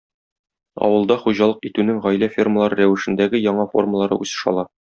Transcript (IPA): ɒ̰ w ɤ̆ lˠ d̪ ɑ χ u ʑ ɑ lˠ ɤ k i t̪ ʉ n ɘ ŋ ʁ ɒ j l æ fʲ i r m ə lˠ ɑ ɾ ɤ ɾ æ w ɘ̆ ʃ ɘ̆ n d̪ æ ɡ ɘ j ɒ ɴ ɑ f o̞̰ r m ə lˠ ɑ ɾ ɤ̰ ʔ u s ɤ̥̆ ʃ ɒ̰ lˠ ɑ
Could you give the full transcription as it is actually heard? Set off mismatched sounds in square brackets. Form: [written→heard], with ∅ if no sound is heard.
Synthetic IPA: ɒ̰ w ɤ̆ lˠ d̪ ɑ χ u ʑ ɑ lˠ ɤ [k→q] i t̪ ʉ n ɘ ŋ ʁ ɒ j l æ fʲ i r m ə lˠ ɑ ɾ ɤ ɾ æ w ɘ̆ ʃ ɘ̆ n d̪ æ ɡ ɘ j ɒ ɴ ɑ f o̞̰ r m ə lˠ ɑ ɾ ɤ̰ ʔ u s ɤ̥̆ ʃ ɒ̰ lˠ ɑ